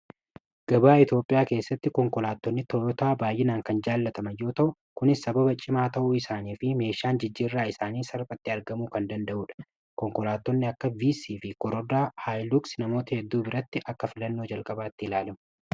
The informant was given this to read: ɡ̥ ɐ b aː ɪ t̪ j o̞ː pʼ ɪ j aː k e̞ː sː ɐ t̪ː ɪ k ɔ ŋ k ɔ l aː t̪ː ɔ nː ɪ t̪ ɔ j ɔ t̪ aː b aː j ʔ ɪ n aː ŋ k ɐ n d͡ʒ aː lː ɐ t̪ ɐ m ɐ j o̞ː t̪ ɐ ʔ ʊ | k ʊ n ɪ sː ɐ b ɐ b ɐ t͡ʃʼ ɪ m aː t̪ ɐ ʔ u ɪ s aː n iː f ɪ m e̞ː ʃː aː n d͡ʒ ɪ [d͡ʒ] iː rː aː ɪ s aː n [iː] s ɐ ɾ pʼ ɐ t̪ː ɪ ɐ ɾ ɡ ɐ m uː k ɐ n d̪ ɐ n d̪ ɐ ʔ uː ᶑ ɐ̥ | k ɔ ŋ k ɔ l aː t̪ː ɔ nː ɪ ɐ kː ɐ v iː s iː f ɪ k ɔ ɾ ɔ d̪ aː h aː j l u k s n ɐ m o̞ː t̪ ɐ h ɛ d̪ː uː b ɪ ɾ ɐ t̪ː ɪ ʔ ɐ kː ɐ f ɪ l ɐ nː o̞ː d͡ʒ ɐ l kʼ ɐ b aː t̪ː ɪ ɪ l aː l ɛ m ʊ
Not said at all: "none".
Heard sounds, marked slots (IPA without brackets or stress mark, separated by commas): d͡ʒː, iː